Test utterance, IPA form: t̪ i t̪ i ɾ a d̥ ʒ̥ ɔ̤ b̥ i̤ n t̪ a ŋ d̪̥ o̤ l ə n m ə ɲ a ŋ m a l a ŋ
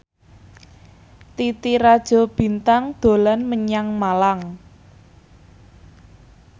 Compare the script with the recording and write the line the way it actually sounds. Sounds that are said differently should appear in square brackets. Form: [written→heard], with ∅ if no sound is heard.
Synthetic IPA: t̪ i t̪ i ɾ a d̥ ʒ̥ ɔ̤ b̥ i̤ n t̪ a ŋ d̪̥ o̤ l [ə→a] n m ə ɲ a ŋ m a l a ŋ